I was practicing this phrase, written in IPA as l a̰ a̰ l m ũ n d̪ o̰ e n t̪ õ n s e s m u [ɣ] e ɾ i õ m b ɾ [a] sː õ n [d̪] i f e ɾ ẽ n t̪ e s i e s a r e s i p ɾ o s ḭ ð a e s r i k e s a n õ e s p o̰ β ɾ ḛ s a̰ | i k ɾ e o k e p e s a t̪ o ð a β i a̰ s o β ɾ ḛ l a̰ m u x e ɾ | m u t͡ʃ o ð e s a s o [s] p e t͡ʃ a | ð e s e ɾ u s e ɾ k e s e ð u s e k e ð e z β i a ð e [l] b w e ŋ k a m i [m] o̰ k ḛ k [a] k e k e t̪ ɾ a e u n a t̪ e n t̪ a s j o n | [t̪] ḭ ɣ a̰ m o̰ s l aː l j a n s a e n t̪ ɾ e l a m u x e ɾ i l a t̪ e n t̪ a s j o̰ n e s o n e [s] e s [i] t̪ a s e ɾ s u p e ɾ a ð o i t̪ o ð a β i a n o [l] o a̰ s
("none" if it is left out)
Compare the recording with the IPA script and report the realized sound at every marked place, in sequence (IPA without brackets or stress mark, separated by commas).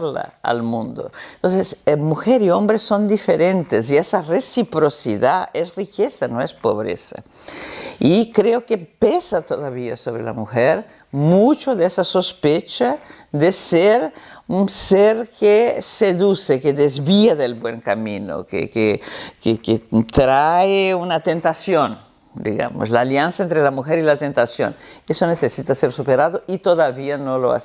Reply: x, e, d̪, s, l, n, e, d̪, s, i, l